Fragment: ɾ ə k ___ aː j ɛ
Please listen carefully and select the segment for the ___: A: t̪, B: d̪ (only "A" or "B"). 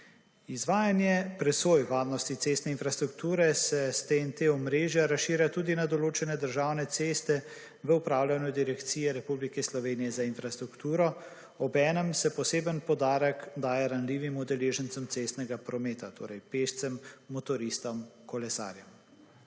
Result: B